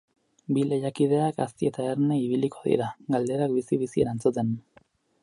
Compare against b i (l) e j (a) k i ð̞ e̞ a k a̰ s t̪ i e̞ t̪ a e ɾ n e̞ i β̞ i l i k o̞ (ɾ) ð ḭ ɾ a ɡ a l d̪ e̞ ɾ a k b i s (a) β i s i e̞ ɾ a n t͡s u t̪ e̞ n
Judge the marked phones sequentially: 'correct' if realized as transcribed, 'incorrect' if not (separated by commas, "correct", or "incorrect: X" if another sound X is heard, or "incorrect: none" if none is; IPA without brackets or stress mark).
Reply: correct, correct, incorrect: none, incorrect: i